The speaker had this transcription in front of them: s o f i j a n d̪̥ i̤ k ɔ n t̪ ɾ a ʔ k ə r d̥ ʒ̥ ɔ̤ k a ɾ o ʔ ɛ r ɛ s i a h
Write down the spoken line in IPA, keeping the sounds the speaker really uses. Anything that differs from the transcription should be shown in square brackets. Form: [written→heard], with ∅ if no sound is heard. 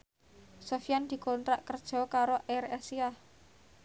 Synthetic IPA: s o f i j a n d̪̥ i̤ k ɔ n t̪ ɾ a ʔ k ə r d̥ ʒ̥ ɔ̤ k a ɾ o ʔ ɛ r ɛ s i a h